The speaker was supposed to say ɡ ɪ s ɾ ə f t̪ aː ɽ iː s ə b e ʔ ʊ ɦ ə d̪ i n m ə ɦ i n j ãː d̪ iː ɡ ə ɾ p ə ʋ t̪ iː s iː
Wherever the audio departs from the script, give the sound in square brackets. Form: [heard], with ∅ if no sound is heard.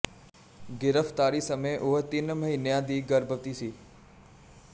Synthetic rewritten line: ɡ ɪ [∅] ɾ ə f t̪ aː [ɾ] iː s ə [m] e ʔ ʊ ɦ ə [t̪] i n m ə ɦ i n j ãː d̪ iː ɡ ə ɾ [b] ə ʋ t̪ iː s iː